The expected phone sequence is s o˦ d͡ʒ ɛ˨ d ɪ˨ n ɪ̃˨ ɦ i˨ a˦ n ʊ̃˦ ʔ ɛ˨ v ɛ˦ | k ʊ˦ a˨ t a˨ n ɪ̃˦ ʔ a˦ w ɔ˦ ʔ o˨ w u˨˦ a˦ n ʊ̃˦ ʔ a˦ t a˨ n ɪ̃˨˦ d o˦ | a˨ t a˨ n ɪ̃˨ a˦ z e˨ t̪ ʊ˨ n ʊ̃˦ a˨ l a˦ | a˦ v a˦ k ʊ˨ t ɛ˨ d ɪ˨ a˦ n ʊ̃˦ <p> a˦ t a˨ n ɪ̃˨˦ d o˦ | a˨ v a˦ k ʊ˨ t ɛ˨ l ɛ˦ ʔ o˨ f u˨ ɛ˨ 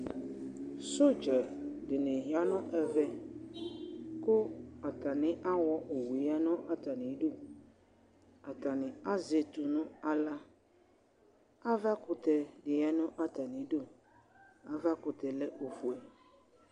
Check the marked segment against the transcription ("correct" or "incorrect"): incorrect